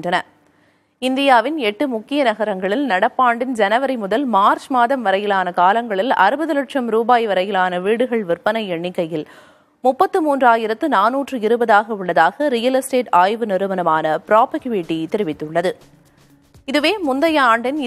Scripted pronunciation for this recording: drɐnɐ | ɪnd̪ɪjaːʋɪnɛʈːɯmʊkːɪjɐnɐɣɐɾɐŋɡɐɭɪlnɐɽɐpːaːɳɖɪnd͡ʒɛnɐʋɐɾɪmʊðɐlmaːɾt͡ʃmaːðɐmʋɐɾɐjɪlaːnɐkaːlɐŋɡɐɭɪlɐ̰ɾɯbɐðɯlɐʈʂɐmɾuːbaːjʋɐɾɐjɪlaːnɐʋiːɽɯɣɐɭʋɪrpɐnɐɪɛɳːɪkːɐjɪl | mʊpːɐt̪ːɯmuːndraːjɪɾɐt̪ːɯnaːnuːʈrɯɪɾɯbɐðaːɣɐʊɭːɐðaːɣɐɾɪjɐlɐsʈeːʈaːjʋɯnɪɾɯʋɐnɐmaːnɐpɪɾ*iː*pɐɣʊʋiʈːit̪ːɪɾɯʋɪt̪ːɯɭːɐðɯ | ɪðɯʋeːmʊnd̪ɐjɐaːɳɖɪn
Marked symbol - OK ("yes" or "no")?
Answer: no